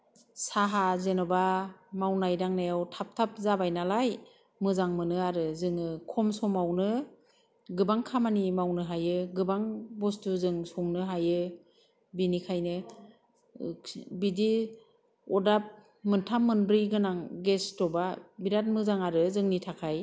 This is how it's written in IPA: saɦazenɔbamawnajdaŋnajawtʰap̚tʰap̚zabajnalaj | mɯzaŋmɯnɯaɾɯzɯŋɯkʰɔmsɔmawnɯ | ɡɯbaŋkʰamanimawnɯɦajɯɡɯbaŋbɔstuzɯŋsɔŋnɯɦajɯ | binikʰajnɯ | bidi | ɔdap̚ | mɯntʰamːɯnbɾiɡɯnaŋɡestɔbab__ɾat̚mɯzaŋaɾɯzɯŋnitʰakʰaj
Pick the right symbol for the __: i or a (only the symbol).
i